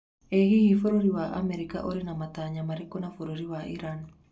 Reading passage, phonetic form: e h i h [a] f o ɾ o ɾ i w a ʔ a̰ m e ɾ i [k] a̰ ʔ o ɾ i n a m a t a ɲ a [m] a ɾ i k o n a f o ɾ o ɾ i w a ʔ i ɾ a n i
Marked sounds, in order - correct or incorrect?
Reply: incorrect: i, correct, correct

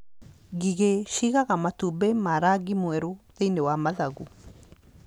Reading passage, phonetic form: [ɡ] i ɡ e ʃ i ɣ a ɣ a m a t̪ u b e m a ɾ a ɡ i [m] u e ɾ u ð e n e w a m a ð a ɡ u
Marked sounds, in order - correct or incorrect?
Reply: correct, correct

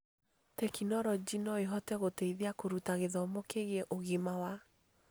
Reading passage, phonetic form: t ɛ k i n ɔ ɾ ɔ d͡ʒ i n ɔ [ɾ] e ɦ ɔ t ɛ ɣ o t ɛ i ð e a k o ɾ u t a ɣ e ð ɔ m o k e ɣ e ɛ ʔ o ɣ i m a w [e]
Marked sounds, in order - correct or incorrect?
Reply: incorrect: none, incorrect: a

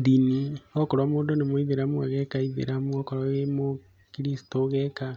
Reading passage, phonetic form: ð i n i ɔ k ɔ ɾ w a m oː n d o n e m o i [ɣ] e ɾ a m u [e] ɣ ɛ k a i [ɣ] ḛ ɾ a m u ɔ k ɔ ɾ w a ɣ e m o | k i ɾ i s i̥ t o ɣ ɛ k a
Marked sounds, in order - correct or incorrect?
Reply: incorrect: ð, incorrect: a, incorrect: ð

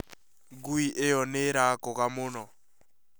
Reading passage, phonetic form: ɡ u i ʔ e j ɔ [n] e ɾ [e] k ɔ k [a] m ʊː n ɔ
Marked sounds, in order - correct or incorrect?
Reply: correct, incorrect: a, correct

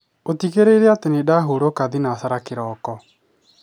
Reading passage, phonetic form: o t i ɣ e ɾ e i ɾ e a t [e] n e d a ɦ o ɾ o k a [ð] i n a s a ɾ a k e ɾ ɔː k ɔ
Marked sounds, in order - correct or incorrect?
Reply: correct, correct

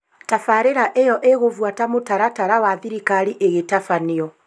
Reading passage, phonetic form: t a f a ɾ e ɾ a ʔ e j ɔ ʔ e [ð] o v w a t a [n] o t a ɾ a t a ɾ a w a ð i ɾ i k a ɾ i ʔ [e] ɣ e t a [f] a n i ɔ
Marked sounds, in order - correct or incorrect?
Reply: incorrect: ɣ, incorrect: m, correct, correct

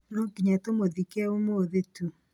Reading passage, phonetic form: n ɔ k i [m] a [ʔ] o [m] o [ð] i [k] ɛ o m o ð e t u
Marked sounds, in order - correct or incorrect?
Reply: incorrect: ɲ, incorrect: t, correct, correct, correct

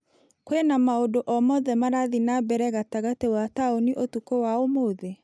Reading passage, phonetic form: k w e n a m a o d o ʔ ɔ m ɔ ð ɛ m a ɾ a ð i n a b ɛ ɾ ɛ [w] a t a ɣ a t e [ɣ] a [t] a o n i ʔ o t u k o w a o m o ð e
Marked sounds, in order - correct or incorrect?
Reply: incorrect: ɣ, incorrect: w, correct

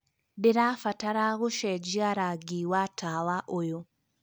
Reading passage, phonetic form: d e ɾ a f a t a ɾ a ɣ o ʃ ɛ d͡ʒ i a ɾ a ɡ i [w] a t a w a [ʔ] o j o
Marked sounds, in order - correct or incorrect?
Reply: correct, correct

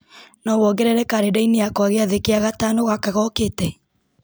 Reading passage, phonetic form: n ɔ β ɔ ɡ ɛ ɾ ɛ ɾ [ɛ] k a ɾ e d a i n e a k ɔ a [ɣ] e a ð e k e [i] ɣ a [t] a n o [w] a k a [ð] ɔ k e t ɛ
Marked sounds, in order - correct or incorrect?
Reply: correct, correct, incorrect: a, correct, incorrect: ɣ, incorrect: ɣ

